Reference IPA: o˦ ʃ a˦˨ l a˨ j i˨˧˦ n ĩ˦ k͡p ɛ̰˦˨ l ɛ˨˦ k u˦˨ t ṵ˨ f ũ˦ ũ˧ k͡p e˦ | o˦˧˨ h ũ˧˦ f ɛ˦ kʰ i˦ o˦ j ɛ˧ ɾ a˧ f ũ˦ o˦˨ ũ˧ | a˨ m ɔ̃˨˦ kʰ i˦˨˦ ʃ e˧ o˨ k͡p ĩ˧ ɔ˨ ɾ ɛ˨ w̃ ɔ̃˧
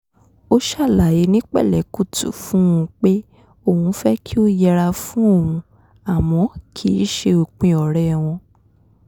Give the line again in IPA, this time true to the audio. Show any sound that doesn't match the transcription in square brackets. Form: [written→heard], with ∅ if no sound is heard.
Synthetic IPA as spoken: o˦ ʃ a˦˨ l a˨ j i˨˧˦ n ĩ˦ k͡p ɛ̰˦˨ l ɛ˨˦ k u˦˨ t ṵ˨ f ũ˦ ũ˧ k͡p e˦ | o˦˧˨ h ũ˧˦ f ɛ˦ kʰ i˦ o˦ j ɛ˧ ɾ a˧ f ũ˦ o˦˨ ũ˧ | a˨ m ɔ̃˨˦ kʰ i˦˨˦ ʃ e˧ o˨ k͡p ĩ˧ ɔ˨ ɾ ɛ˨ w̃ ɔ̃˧